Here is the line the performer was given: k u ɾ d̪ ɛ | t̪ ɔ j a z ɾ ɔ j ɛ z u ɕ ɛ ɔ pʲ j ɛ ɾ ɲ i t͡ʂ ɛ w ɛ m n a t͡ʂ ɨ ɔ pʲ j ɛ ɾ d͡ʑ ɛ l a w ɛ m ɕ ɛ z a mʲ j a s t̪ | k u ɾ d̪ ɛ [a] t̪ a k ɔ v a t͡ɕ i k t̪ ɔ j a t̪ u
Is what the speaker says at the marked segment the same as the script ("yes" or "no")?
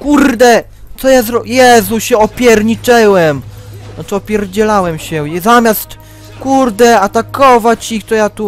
yes